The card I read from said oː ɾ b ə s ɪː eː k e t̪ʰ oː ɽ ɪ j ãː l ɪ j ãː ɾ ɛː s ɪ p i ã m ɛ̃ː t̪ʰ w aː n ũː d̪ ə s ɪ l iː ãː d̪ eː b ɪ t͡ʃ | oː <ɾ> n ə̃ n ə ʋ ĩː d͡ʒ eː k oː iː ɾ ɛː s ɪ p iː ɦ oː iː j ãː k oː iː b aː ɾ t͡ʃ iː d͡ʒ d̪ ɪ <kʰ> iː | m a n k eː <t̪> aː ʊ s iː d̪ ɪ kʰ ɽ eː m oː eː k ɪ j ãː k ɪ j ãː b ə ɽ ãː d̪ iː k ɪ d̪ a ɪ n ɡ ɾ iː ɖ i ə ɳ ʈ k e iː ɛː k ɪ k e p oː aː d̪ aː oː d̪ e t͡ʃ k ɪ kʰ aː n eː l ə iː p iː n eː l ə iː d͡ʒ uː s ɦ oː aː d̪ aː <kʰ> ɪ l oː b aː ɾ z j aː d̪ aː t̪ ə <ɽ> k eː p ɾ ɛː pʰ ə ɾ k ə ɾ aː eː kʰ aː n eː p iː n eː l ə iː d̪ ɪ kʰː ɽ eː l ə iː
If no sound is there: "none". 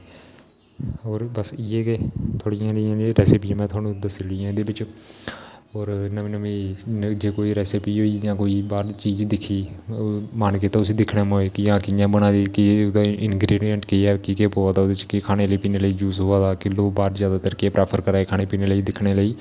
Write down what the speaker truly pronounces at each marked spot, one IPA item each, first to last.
ɾ, kʰ, t̪, k, ɾ

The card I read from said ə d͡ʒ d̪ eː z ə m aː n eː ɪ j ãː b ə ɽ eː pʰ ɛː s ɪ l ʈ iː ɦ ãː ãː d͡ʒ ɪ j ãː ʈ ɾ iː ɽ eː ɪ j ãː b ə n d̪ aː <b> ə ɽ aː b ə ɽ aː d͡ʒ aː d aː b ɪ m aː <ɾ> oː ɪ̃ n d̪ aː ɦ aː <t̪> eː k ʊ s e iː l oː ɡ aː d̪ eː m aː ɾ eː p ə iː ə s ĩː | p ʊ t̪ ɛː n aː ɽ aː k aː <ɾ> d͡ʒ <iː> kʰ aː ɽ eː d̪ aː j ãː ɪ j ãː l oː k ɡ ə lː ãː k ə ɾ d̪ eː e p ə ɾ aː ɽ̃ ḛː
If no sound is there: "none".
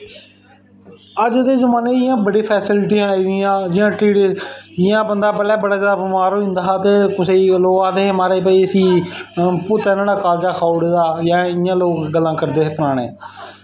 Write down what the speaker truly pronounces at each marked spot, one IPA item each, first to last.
b, ɾ, t̪, l, aː

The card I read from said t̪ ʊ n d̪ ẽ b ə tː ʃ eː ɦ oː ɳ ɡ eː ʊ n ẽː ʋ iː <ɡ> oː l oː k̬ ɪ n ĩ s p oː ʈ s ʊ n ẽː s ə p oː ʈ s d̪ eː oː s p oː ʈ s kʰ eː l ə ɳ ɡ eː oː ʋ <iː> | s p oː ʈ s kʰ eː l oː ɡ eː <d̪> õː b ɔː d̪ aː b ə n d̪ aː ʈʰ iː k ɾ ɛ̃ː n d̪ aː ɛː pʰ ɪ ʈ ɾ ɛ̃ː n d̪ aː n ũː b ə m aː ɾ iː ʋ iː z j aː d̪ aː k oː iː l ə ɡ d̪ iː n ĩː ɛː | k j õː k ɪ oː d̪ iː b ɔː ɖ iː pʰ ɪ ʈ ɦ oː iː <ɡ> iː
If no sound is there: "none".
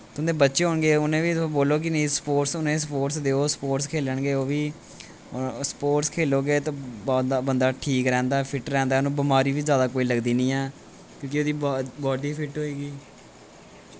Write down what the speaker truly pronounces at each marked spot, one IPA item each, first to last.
b, iː, t̪, ɡ

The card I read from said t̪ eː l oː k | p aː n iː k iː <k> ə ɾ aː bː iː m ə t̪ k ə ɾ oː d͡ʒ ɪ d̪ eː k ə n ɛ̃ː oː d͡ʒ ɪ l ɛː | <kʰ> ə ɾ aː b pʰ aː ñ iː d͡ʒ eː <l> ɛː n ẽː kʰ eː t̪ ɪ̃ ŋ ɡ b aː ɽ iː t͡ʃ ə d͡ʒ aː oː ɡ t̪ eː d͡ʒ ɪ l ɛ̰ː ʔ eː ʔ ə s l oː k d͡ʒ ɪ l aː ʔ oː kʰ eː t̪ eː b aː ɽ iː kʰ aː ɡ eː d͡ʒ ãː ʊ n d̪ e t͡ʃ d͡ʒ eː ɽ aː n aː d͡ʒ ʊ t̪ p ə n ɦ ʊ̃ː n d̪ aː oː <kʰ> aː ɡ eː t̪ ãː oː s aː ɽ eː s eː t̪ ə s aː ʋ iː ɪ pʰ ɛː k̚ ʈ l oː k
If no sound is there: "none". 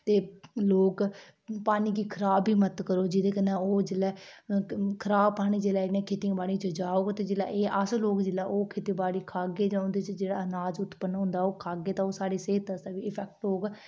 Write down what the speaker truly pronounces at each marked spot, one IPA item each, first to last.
kʰ, kʰ, l, kʰ

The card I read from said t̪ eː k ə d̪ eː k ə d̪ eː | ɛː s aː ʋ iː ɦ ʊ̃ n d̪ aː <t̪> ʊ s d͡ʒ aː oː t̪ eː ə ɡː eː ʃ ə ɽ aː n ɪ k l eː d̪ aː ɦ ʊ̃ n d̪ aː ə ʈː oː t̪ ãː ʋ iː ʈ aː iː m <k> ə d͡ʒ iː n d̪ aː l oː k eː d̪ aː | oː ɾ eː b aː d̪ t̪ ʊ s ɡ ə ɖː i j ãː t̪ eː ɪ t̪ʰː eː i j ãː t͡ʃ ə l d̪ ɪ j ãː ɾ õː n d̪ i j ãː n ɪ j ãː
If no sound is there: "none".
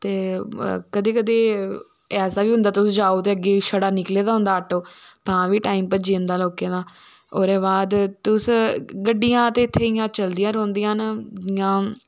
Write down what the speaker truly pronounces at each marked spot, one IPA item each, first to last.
t̪, p

